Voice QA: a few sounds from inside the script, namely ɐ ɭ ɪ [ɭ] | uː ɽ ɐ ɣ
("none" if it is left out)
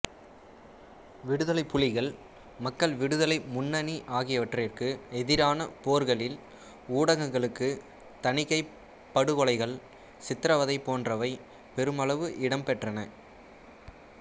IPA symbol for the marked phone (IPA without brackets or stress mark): l